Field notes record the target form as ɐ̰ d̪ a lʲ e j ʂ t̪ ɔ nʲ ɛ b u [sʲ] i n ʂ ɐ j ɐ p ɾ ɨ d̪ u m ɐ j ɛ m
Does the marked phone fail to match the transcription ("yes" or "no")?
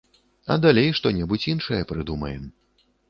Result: yes